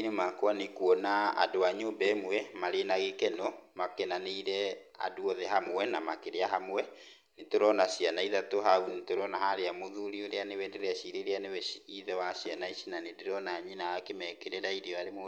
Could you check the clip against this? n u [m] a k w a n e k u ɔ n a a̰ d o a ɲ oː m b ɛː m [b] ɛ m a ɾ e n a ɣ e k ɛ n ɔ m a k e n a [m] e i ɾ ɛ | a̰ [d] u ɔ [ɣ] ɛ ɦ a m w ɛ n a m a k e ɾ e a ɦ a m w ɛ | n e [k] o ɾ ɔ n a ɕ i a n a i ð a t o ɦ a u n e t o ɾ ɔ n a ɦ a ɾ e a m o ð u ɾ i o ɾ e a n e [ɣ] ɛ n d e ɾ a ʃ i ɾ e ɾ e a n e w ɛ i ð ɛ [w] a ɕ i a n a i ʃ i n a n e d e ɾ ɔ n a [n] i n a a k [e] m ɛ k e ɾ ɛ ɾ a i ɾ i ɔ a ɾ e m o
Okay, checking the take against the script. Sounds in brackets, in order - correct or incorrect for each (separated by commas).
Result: correct, incorrect, incorrect, correct, incorrect, incorrect, incorrect, correct, incorrect, correct